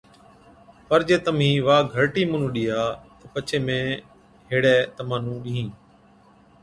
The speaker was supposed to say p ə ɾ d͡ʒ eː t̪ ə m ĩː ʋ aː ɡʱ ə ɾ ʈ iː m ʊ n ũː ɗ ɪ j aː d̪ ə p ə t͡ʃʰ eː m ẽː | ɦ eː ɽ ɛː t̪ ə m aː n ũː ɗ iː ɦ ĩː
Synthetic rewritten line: p ə ɾ d͡ʒ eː t̪ ə m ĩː ʋ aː ɡʱ ə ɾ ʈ iː m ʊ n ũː ɗ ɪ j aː t̪ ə p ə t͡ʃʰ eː m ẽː | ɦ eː ɽ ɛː t̪ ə m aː n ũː ɗ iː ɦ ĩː

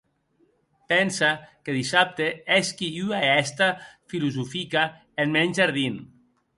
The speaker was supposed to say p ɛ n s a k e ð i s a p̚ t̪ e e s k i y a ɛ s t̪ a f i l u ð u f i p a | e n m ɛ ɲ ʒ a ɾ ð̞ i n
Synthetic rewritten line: p ɛ n s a k e ð i s a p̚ t̪ e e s k i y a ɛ s t̪ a f i l u z u f i k a | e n m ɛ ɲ ʒ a ɾ ð̞ i n

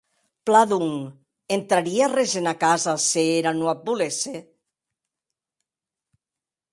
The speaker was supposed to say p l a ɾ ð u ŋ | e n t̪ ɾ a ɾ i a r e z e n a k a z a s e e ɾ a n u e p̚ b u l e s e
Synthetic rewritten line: p l a ð u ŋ | e n t̪ ɾ a ɾ i a r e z e n a k a z a s e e ɾ a n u a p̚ b u l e s e

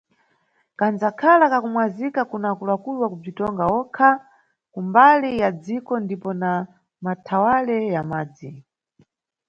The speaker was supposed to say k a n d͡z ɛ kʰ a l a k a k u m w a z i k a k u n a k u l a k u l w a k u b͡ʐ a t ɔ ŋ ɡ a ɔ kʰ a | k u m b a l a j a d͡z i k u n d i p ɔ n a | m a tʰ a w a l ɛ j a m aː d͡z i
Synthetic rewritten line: k a n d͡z a kʰ a l a k a k u m w a z i k a k u n a k u l a k u l w a k u b͡ʐ i t ɔ ŋ ɡ a ɔ kʰ a | k u m b a l i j a d͡z i k ɔ n d i p ɔ n a | m a tʰ a w a l ɛ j a m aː d͡z i

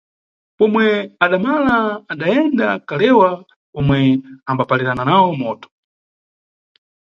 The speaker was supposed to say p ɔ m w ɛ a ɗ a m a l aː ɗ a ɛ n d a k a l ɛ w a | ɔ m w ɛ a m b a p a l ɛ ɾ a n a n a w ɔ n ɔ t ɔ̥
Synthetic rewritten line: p ɔ m w ɛ a ɗ a m a l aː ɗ a ɛ n d a k a l ɛ w a | ɔ m w ɛ a m b a p a l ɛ ɾ a n a n a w ɔ m ɔ t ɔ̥

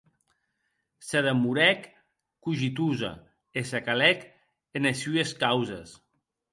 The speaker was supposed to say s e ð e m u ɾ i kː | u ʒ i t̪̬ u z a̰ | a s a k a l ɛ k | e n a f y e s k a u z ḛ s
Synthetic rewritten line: s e ð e m u ɾ ɛ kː | u ʒ i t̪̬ u z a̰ | e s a k a l ɛ k | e n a s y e s k a w z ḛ s

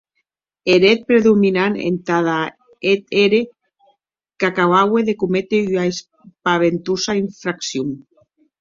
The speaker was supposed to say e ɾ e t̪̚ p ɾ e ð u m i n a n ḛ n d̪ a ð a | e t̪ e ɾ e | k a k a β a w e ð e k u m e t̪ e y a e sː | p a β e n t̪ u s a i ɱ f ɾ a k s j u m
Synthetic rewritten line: e ɾ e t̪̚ p ɾ e ð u m i n a n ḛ n t̪ a ð a | e t̪ e ɾ e | k a k a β a w e ð e k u m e t̪ e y a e s | p a β e n t̪ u s a i ɱ f ɾ a k s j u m

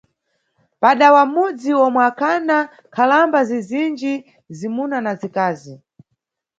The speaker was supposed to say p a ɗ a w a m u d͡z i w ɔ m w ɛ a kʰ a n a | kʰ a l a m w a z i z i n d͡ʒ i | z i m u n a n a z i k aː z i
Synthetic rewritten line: p a ɗ a w a m u d͡z i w ɔ m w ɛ a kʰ a n a | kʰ a l a m b a z i z i n d͡ʒ i | z i m u n a n a z i k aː z i

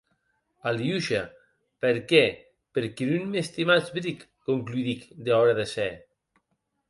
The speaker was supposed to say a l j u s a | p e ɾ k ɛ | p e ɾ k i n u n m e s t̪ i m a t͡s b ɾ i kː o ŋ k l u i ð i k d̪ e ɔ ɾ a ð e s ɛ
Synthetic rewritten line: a l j u ʃ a | p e ɾ k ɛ | p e ɾ k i n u n m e s t̪ i m a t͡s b ɾ i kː o ŋ k l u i ð i k d̪ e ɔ ɾ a ð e s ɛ

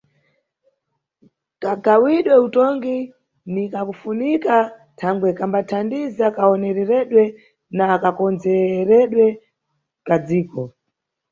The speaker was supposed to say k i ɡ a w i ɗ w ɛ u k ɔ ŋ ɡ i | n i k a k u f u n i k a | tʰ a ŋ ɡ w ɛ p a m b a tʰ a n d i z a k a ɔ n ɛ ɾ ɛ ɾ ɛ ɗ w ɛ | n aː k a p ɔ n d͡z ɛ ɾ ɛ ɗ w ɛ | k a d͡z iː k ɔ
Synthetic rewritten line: k a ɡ a w i ɗ w ɛ u t ɔ ŋ ɡ i | n i k a k u f u n i k a | tʰ a ŋ ɡ w ɛ k a m b a tʰ a n d i z a k a ɔ n ɛ ɾ ɛ ɾ ɛ ɗ w ɛ | n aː k a k ɔ n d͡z ɛ ɾ ɛ ɗ w ɛ | k a d͡z iː k ɔ

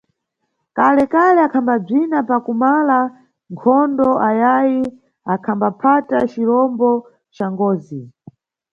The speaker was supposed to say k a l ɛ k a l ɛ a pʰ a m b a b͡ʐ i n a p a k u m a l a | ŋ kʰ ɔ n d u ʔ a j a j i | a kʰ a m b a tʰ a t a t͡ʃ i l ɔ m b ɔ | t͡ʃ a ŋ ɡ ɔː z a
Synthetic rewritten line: k a l ɛ k a l ɛ a kʰ a m b a b͡ʐ i n a p a k u m a l a | ŋ kʰ ɔ n d ɔ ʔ a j a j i | a kʰ a m b a pʰ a t a t͡ʃ i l ɔ m b ɔ | t͡ʃ a ŋ ɡ ɔː z i

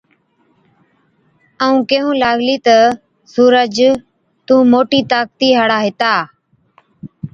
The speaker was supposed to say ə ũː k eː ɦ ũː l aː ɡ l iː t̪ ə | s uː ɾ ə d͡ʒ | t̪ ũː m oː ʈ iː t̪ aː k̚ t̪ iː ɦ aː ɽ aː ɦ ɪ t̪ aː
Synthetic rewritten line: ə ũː k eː ɦ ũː l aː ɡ l iː t̪ ə | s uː ɾ ə d͡ʒ | t̪ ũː m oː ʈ iː t̪ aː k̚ t̪ iː ɦ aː ɽ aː ɦ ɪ t̪ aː

